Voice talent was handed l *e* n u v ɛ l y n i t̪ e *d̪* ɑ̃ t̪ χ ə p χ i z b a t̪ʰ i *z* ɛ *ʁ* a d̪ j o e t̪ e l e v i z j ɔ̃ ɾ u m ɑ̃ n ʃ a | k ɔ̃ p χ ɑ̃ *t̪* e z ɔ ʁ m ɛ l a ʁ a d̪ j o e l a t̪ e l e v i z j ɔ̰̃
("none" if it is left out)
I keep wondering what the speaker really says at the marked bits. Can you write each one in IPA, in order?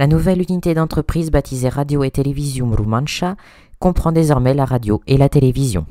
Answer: a, d̪, z, ʁ, d̪

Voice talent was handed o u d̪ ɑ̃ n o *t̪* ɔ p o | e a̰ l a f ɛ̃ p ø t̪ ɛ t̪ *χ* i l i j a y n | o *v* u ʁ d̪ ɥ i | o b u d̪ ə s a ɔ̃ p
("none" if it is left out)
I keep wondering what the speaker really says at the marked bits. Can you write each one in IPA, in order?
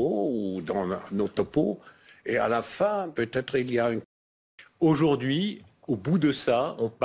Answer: t̪, χ, ʒ

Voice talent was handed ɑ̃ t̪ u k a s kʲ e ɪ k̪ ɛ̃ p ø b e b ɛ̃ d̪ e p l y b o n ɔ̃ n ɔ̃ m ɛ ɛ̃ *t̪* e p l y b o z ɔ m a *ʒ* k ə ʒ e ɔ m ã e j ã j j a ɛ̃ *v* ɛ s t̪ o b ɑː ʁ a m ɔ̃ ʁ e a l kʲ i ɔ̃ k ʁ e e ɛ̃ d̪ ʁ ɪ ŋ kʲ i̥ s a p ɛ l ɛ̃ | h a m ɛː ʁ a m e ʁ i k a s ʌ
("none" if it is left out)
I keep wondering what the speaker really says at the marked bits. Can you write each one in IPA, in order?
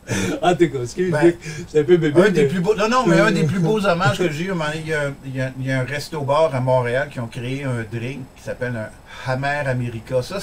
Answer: d̪, ʒ, ʁ

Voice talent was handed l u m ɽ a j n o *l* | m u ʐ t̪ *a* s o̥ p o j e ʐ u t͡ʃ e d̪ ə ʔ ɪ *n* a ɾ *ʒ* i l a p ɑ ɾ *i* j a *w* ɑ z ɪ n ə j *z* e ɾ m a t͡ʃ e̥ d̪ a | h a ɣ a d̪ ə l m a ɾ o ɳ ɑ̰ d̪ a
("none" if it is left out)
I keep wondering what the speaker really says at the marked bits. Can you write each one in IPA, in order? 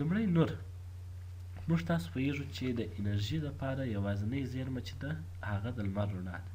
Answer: ɾ, ɑ, n, ʒ, a, w, z

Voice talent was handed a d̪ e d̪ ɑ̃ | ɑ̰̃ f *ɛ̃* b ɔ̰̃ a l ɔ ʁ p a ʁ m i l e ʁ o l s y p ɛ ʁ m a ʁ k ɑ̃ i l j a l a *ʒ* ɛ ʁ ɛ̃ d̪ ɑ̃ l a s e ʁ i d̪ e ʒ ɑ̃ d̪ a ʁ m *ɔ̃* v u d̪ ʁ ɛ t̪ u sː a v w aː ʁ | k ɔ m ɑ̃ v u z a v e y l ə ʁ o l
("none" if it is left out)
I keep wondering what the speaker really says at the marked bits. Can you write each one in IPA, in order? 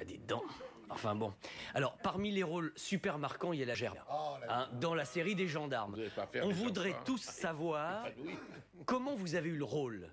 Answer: ɛ̃, ʒ, ɔ̃

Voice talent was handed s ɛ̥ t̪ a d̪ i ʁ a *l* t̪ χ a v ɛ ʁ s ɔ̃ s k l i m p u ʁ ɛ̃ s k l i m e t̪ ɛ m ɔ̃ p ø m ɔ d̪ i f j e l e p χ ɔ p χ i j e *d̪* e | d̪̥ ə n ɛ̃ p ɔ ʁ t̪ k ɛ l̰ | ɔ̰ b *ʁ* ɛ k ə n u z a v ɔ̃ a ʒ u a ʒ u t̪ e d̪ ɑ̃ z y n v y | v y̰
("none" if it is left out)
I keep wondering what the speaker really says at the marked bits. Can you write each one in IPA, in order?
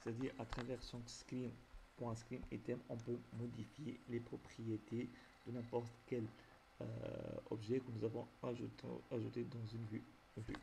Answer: none, t̪, ʒ

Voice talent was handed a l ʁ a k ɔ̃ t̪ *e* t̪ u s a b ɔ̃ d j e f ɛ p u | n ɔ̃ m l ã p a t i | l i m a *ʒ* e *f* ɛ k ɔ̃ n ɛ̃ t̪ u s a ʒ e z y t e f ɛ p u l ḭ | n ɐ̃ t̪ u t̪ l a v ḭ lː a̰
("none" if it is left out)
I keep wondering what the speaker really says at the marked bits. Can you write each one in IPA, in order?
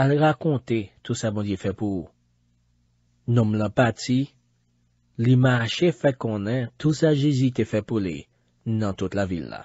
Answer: e, ʃ, f

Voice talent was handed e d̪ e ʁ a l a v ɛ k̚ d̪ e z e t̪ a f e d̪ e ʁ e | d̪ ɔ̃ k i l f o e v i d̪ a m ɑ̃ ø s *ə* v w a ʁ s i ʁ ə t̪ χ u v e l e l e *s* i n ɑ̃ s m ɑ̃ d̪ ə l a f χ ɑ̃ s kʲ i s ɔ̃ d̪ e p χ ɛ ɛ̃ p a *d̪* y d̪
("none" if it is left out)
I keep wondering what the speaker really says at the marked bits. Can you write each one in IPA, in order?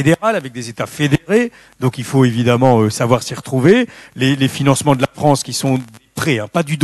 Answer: a, f, d̪

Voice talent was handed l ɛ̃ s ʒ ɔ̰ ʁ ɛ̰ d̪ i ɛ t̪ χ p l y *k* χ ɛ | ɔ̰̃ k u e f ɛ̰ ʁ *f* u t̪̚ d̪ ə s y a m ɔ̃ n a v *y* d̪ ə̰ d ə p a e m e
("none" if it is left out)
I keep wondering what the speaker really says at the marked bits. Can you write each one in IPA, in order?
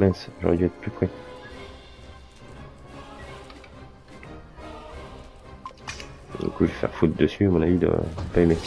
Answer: p, f, i

